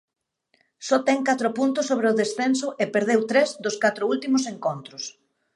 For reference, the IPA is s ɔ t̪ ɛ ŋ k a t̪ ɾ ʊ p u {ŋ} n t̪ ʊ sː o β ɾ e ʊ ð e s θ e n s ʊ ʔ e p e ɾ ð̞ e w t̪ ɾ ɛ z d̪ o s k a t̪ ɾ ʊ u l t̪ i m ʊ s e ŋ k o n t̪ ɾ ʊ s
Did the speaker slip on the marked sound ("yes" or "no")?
yes